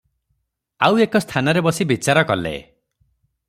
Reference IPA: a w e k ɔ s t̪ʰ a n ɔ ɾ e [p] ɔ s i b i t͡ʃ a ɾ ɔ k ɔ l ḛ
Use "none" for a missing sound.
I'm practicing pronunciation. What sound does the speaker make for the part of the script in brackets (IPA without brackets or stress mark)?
b